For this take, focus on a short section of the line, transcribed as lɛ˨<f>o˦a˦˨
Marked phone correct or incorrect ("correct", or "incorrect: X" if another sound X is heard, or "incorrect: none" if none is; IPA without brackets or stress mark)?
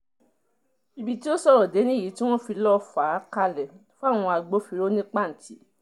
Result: correct